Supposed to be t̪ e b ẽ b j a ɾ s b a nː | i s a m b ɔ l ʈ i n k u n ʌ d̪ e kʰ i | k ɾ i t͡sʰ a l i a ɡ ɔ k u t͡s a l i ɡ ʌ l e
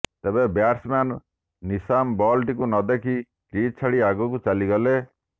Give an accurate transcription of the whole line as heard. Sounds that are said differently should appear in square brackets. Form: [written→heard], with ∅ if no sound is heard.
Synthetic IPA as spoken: t̪ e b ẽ b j a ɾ s [b→m] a nː | i s a m b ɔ l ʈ i [n→∅] k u n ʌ d̪ e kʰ i | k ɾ i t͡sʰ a [l→ɽ] i a ɡ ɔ k u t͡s a l i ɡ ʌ l e